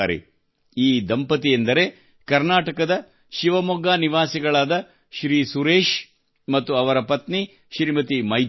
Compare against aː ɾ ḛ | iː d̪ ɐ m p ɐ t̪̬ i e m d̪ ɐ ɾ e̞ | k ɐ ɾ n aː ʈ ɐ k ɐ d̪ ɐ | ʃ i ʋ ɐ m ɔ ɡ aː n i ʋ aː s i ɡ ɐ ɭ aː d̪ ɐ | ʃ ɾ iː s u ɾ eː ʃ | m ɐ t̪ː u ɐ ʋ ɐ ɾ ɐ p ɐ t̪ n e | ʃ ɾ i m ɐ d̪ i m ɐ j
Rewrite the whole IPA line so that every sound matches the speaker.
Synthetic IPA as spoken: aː ɾ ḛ | iː d̪ ɐ m p ɐ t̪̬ i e n d̪ ɐ ɾ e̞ | k ɐ ɾ n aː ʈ ɐ k ɐ d̪ ɐ | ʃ i ʋ ɐ m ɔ ɡ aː n i ʋ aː s i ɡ ɐ ɭ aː d̪ ɐ | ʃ ɾ iː s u ɾ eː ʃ | m ɐ t̪ː u ɐ ʋ ɐ ɾ ɐ p ɐ t̪ n i | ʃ ɾ i m ɐ t̪ i m ɐ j